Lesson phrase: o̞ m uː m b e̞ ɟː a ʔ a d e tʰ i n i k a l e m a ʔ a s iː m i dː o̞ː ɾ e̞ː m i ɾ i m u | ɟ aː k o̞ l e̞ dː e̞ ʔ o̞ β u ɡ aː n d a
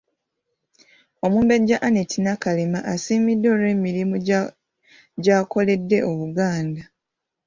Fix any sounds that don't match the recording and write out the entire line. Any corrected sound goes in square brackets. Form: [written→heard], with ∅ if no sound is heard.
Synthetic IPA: o̞ m uː m b e̞ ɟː a ʔ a [d→n] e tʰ i n [i→a] k a l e m a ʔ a s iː m i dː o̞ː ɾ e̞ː m i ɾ i m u | ɟ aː k o̞ l e̞ dː e̞ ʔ o̞ β u ɡ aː n d a